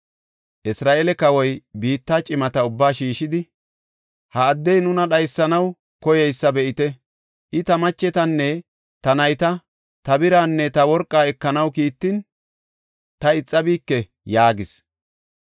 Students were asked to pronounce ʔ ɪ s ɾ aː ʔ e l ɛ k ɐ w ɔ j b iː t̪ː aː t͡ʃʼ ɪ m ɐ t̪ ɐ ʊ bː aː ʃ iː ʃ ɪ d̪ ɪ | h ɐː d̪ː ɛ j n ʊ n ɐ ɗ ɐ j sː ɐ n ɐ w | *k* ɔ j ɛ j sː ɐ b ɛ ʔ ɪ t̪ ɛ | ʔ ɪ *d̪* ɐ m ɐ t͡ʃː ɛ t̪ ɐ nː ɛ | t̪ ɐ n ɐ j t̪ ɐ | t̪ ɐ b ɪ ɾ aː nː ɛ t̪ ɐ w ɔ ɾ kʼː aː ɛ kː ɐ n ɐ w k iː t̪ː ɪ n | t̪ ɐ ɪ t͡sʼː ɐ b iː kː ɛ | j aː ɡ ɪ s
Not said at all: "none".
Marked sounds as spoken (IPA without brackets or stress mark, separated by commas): k, t̪